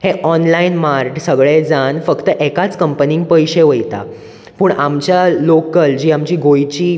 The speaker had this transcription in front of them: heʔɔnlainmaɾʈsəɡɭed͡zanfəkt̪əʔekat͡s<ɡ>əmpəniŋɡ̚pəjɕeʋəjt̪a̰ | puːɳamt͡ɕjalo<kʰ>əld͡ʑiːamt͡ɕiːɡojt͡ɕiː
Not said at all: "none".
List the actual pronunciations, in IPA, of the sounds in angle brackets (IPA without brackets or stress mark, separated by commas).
k, k